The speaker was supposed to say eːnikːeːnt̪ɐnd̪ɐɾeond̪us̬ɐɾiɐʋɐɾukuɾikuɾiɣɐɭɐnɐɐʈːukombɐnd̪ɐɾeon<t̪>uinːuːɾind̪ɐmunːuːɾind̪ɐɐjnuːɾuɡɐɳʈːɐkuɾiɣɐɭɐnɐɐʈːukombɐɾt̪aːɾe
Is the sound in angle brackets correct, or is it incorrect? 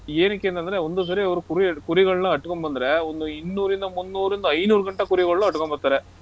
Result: incorrect